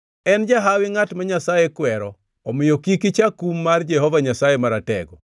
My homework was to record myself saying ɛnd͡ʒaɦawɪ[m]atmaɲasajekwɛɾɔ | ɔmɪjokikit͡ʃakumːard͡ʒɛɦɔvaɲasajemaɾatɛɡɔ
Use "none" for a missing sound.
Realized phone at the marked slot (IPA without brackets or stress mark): ŋ